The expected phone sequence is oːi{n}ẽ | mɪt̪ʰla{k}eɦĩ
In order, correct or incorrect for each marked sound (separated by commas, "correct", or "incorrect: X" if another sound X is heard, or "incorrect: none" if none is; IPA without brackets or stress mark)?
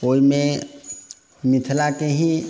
incorrect: m, correct